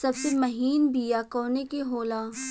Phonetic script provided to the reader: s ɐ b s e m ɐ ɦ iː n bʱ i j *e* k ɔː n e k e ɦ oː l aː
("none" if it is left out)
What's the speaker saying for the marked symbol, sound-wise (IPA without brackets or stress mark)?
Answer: a